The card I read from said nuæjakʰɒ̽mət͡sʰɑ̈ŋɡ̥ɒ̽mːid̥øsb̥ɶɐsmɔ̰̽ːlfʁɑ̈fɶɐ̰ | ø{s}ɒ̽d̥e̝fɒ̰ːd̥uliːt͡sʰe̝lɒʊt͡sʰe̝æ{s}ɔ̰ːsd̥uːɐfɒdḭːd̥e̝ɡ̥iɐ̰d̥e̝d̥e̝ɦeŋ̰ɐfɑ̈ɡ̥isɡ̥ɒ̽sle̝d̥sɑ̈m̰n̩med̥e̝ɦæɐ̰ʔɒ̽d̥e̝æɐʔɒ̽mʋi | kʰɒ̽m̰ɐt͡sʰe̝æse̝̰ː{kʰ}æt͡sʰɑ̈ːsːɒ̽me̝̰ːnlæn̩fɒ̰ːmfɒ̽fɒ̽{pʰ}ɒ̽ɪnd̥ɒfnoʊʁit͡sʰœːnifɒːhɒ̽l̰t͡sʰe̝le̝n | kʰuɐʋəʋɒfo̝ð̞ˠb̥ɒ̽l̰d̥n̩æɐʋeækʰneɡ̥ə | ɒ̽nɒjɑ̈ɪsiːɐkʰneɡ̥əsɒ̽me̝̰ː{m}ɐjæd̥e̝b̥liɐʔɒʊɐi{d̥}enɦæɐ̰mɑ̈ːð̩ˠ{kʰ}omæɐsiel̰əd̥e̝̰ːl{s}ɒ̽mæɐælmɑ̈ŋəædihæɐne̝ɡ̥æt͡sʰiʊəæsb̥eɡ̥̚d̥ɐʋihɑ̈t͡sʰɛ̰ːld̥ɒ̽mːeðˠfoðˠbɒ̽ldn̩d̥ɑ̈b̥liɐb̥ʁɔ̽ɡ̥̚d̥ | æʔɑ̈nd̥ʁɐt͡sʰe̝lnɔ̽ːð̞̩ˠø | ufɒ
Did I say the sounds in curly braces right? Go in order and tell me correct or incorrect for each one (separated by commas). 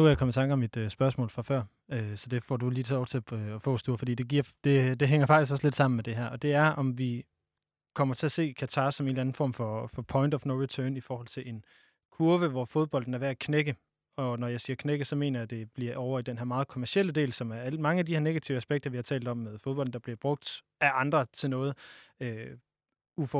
correct, incorrect, correct, correct, incorrect, correct, correct, correct